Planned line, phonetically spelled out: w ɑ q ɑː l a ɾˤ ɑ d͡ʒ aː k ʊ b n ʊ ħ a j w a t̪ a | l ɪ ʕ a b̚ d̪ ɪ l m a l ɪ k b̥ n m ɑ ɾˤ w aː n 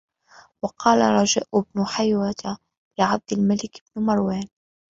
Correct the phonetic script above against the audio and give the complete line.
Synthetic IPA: w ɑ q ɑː l a ɾˤ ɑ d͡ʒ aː ʔ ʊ b n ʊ ħ a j w a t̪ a | l ɪ ʕ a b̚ d̪ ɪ l m a l ɪ k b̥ n m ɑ ɾˤ w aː n